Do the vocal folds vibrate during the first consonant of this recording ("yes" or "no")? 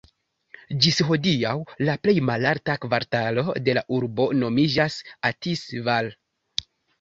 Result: yes